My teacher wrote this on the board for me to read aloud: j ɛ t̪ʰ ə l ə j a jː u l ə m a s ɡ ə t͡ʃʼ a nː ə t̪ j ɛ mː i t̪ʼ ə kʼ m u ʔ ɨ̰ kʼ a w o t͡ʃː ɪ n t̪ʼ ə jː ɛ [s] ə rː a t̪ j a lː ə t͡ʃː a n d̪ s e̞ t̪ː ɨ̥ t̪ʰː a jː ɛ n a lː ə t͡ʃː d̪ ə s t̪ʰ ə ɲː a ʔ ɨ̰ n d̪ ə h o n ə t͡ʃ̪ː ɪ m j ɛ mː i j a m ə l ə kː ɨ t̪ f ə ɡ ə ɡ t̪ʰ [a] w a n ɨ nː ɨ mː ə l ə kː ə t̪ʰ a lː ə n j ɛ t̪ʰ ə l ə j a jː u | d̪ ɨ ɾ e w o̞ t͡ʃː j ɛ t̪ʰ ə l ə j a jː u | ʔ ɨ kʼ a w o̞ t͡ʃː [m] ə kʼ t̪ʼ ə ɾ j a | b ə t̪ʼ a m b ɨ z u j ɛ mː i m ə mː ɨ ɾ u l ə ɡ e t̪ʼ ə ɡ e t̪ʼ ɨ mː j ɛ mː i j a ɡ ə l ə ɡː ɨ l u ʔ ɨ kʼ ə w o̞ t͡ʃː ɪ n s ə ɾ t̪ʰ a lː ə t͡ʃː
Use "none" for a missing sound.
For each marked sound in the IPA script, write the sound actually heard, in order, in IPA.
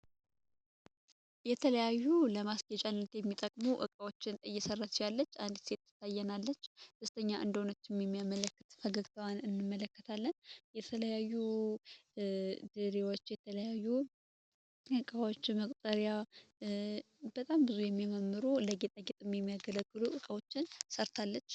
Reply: s, ə, m

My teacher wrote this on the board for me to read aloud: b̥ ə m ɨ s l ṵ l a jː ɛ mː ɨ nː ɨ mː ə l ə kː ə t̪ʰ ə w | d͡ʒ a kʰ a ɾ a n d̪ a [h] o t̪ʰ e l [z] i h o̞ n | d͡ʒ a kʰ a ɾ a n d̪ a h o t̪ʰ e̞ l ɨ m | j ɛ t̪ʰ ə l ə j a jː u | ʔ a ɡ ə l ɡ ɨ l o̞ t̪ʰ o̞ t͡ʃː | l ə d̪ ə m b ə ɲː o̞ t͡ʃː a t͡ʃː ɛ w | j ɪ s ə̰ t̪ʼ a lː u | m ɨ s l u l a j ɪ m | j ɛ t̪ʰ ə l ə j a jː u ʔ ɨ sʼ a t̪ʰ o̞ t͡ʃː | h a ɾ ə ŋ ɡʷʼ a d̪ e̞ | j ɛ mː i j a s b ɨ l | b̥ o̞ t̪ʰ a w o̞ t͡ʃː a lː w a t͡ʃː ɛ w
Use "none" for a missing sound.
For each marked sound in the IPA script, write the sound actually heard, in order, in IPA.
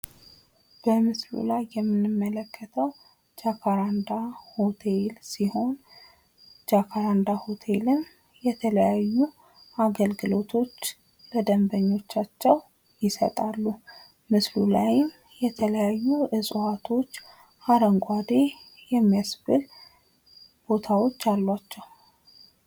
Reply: h, s

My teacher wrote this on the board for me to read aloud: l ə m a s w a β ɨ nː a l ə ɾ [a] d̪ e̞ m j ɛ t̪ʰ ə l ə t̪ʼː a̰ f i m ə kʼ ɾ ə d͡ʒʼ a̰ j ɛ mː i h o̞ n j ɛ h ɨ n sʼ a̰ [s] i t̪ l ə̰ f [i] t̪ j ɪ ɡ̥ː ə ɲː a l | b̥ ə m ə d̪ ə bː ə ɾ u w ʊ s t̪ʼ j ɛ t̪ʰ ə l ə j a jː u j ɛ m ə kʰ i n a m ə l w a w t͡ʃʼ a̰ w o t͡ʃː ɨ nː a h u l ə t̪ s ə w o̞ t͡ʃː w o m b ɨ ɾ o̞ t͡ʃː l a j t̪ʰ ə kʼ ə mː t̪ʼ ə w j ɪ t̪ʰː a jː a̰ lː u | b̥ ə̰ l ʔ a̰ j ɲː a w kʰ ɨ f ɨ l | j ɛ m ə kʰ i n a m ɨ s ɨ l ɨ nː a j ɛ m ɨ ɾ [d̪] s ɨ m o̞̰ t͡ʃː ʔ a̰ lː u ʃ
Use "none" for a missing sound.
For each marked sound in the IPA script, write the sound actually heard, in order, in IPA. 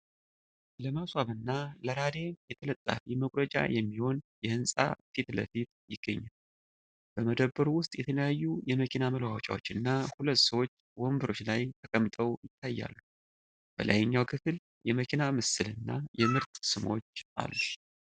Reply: a, f, i, t̪

